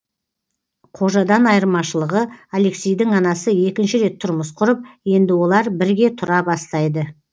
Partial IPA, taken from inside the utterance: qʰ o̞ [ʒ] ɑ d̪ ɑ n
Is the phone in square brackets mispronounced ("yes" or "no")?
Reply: no